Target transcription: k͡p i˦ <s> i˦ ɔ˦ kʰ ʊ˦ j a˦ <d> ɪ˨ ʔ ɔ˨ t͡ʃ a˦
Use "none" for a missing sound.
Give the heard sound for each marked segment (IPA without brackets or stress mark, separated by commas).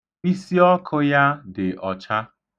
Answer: s, d